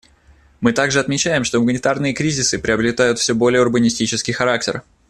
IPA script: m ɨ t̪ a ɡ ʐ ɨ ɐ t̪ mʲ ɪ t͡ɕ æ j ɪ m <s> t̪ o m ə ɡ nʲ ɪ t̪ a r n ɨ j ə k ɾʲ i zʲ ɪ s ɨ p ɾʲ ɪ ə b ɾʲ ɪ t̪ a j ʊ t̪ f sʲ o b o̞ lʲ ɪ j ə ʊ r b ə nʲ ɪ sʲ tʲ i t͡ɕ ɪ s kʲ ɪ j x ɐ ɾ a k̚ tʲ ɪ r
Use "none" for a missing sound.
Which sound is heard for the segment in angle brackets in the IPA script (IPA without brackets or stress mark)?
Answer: ʂ